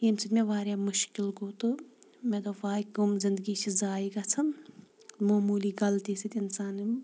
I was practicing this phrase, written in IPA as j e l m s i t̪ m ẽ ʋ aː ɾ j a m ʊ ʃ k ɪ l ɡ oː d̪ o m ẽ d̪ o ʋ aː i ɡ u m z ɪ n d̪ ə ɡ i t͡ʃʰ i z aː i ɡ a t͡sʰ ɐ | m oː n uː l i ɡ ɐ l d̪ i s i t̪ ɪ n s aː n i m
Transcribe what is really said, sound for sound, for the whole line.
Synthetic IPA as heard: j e m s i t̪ m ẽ ʋ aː ɾ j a m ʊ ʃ k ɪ l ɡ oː t̪ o m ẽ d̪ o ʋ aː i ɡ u m z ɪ n d̪ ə ɡ i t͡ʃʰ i z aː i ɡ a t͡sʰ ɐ | m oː m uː l i ɡ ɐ l t̪ i s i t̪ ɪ n s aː n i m